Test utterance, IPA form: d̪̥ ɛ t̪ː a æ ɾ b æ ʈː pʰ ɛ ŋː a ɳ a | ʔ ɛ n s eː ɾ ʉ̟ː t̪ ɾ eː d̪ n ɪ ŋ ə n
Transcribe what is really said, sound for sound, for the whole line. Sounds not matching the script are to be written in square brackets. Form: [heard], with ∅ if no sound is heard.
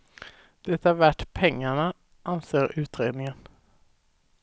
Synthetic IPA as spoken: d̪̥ ɛ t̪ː a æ ɾ [v] æ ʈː pʰ ɛ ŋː a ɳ a | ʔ [a] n s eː ɾ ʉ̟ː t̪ ɾ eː d̪ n ɪ ŋ ə n

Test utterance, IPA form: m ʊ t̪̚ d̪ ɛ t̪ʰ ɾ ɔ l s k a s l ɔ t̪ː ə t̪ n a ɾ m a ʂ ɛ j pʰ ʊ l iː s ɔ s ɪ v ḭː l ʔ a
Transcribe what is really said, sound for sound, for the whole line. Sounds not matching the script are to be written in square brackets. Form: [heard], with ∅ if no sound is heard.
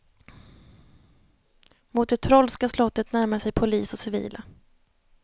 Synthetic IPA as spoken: m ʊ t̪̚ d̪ ɛ t̪ʰ ɾ ɔ l s k a s l ɔ t̪ː ə t̪ n [æ] ɾ m a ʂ ɛ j pʰ ʊ l iː s ɔ s ɪ v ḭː l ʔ a

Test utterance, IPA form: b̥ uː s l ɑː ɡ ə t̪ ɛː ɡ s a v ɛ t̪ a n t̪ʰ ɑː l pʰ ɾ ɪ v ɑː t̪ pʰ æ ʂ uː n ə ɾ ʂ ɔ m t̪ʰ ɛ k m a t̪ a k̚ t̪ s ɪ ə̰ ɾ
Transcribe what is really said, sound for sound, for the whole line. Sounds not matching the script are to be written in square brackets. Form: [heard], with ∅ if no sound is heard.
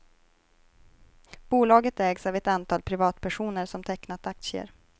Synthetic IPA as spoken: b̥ uː [∅] l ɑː ɡ ə t̪ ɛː ɡ s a v ɛ t̪ a n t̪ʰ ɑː l pʰ ɾ ɪ v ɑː t̪ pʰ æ ʂ uː n ə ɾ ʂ ɔ m t̪ʰ ɛ k [n] a t̪ a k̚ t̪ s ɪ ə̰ ɾ

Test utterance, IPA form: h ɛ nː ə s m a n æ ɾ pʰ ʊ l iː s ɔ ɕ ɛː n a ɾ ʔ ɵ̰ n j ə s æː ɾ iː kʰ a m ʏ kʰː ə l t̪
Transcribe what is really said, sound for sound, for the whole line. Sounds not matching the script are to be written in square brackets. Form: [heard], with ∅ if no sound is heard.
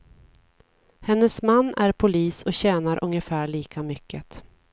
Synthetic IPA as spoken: h ɛ nː ə s m a [nː] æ ɾ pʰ ʊ l iː s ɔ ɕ ɛː n a ɾ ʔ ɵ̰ [ŋ] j ə [f] æː [ɭ] iː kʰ a m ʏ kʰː ə [∅] t̪

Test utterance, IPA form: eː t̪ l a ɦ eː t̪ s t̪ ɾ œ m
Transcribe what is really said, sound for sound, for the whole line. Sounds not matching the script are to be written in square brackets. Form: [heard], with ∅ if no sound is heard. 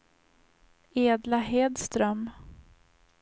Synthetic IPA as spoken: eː [d̪] l a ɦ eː [d̪] s t̪ ɾ œ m

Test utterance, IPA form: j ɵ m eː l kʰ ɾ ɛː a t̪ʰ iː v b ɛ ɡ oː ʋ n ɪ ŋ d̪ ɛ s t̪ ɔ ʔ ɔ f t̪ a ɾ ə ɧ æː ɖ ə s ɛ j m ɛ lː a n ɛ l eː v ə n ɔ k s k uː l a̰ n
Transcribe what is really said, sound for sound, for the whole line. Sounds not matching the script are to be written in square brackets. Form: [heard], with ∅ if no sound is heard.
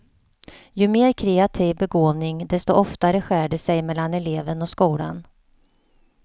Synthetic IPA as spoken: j ɵ m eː [ɾ] kʰ ɾ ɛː a t̪ʰ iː v b ɛ ɡ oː [v] n ɪ ŋ d̪ ɛ s t̪ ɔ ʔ ɔ f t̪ a ɾ ə ɧ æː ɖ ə s ɛ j m ɛ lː a n ɛ l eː v ə n ɔ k s k uː l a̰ n

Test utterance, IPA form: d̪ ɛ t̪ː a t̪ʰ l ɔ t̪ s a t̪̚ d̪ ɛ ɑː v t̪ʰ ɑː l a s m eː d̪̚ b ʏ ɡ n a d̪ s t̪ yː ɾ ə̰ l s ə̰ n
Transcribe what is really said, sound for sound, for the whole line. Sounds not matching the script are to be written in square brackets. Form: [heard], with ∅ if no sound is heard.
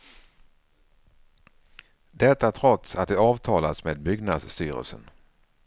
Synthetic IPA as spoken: d̪ ɛ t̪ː a t̪ʰ [ɾ] ɔ t̪ s a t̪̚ d̪ ɛ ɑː v t̪ʰ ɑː l a s m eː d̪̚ b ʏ ɡ n a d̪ s t̪ yː ɾ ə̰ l s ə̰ n

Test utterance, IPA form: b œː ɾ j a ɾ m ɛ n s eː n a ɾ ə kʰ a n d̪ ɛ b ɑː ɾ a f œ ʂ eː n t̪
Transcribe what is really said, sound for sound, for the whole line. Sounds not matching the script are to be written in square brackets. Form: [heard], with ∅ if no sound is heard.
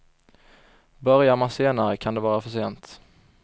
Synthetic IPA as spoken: b [œ] ɾ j a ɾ m [a] n s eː n a ɾ ə kʰ a n d̪ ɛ [v] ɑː ɾ a f œ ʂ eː n t̪

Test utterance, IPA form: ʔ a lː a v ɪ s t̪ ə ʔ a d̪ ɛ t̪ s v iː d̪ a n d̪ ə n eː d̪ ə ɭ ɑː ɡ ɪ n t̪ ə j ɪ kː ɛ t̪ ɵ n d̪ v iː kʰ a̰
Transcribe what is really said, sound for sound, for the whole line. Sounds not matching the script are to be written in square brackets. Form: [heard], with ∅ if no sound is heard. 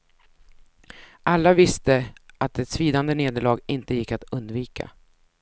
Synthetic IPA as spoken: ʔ a lː a v ɪ s t̪ ə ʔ a [t̪] ɛ t̪ s v iː d̪ a n d̪ ə n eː d̪ ə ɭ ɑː ɡ ɪ n t̪ ə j ɪ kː [a] t̪ ɵ n d̪ v iː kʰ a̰

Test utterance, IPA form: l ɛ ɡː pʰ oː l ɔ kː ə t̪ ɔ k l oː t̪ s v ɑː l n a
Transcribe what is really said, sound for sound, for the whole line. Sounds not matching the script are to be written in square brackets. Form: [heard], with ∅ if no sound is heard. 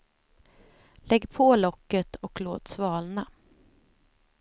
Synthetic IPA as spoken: l ɛ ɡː pʰ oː l ɔ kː ə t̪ ɔ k l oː t̪ s v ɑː l n a

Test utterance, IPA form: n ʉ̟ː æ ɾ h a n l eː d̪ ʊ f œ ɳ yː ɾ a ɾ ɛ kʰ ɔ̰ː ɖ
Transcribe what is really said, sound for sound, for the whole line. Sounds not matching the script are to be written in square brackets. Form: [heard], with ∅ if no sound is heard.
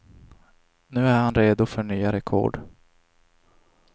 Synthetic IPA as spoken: n ʉ̟ː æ ɾ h a n [ɾ] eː d̪ ʊ f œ ɳ yː [∅] a ɾ ɛ kʰ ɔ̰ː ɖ

